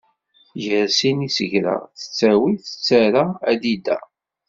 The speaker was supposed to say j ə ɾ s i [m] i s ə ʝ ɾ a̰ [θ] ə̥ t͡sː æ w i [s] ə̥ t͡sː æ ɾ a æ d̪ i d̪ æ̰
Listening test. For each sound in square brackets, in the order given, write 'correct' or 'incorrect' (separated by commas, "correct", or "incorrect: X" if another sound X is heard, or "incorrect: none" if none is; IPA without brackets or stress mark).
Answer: incorrect: n, correct, incorrect: θ